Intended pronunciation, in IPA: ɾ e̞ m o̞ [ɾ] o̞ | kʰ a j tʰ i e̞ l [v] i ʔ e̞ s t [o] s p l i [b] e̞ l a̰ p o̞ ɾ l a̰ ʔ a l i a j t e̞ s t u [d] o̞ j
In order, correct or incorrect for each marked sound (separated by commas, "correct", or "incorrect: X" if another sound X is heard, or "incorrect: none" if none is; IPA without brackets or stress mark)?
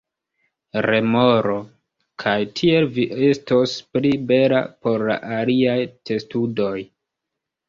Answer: correct, correct, correct, correct, correct